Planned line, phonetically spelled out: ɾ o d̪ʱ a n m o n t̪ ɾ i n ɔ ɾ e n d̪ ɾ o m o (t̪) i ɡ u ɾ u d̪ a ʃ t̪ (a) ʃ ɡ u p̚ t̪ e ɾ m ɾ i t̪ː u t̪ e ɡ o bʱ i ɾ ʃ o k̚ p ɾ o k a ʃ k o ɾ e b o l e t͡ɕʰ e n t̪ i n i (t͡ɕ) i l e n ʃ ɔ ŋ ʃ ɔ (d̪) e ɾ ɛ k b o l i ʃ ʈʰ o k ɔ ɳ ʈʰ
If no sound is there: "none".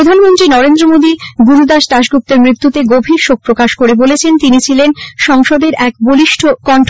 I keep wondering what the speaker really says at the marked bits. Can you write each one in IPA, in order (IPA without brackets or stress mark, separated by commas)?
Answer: d̪, a, t͡ɕʰ, d̪